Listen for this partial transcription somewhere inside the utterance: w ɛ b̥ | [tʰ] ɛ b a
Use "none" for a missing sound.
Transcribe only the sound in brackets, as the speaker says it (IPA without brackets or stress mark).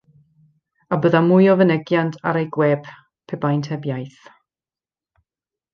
pʰ